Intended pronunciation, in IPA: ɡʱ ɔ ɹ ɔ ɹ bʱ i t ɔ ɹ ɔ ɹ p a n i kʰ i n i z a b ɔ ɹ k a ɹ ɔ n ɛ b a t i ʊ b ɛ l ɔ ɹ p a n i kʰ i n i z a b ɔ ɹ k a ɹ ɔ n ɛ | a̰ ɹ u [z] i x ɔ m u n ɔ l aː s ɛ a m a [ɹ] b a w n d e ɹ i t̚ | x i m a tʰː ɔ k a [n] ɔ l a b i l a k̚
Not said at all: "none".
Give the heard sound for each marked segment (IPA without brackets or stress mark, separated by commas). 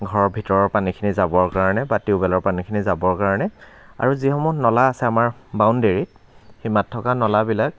z, ɹ, n